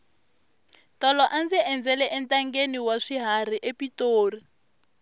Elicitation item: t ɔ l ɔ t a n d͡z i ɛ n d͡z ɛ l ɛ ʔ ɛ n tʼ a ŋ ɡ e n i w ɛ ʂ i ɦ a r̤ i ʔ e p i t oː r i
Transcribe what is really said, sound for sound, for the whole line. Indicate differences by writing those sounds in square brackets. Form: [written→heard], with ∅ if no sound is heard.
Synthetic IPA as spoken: t ɔ l ɔ [t→ʔ] a n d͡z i ɛ n d͡z ɛ l ɛ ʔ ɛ n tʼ a ŋ ɡ e n i w [ɛ→a] ʂ i ɦ a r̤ i ʔ e p i t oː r i